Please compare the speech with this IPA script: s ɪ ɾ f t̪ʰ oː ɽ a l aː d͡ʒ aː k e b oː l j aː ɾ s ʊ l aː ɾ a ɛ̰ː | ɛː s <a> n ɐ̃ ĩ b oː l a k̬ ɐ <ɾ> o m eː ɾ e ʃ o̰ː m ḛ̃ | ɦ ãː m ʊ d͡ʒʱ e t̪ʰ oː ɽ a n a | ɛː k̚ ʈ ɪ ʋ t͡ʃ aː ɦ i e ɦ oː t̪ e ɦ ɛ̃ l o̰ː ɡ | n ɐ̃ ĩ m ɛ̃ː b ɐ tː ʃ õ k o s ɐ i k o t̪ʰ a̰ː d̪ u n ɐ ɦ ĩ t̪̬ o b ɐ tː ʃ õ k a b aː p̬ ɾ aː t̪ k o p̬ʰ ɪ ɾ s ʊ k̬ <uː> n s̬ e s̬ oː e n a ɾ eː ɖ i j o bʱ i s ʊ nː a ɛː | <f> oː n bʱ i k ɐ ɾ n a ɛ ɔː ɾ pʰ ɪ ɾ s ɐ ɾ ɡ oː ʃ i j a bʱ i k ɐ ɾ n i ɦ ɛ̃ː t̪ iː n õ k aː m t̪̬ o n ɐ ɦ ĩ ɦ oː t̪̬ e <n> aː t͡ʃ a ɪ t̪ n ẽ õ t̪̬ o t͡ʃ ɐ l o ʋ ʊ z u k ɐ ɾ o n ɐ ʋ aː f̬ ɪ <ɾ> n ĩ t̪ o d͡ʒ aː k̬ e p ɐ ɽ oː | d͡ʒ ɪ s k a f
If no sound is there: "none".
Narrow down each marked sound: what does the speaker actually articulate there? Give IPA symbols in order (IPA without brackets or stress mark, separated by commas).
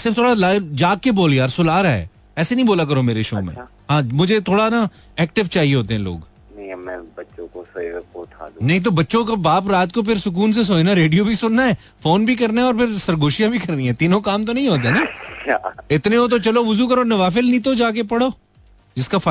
e, ɾ, uː, f, n, l